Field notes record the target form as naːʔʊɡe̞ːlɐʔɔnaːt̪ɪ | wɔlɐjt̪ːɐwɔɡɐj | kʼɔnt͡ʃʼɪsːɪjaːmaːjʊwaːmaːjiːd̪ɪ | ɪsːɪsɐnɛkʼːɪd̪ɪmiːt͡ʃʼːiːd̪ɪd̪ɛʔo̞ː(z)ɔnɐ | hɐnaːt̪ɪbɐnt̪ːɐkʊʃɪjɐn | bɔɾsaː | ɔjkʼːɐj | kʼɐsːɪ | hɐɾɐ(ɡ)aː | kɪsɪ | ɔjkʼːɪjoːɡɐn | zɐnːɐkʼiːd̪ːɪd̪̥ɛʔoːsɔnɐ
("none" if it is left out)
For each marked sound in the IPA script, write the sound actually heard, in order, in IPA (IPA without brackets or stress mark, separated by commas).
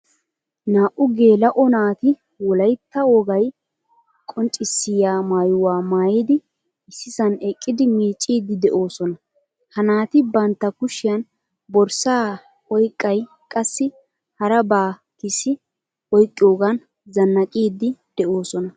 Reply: s, b